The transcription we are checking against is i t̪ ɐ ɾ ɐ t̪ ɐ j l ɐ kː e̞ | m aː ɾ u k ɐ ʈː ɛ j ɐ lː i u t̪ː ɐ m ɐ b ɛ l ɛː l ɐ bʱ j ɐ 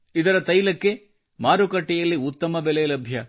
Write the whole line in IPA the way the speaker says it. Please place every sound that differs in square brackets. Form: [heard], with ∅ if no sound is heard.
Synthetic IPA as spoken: i [d̪] ɐ ɾ ɐ t̪ ɐ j l ɐ kː e̞ | m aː ɾ u k ɐ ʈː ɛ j ɐ lː i u t̪ː ɐ m ɐ b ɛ l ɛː l ɐ bʱ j ɐ